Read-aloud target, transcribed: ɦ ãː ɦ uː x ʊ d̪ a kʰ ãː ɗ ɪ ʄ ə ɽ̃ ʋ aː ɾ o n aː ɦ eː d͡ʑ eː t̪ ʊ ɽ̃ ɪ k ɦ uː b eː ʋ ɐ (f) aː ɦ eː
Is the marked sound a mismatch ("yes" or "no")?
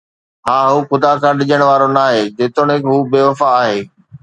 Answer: no